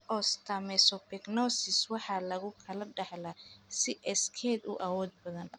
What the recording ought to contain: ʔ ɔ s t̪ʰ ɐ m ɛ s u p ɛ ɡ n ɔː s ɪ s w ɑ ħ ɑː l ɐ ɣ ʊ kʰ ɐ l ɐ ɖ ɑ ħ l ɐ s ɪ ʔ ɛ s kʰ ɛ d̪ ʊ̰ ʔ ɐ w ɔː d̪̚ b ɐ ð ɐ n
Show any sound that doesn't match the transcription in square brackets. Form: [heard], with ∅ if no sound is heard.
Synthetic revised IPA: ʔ ɔ s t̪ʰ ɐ m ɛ s [ɔ] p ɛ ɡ n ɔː s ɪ s w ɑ ħ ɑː l ɐ ɣ ʊ kʰ ɐ l ɐ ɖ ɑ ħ l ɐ s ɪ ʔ ɛ s kʰ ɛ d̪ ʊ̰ ʔ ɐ w ɔː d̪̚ b ɐ ð ɐ n